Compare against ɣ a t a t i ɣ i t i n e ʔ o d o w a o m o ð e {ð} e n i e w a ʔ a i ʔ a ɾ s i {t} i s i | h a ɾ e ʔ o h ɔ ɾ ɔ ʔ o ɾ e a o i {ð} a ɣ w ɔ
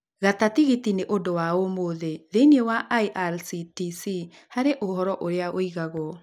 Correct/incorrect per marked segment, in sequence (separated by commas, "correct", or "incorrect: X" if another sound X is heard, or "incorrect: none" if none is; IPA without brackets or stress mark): correct, correct, incorrect: ɣ